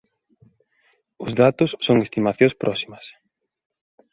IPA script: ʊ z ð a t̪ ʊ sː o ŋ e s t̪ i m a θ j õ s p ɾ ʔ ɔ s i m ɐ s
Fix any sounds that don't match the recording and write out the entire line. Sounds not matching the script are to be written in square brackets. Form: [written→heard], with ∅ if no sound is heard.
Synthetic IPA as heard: ʊ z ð a t̪ ʊ sː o ŋ e s t̪ i m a θ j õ s p ɾ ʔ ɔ s i m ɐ s